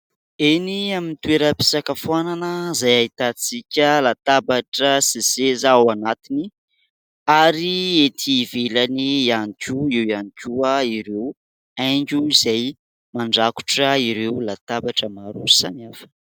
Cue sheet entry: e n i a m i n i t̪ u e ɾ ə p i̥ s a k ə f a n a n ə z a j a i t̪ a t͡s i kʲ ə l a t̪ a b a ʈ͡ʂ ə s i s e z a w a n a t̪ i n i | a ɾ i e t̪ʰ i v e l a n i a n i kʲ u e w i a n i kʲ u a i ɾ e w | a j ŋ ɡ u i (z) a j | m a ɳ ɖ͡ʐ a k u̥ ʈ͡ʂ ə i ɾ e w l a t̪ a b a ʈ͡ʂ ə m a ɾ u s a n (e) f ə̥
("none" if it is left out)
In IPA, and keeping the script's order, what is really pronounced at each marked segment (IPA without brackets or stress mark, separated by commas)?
z, a